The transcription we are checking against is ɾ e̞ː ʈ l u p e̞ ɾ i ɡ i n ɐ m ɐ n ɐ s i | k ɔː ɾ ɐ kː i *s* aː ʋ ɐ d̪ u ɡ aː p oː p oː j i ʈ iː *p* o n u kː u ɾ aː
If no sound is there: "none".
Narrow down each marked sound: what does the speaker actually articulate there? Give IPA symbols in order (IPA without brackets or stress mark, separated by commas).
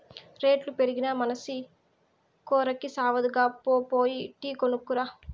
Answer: s, k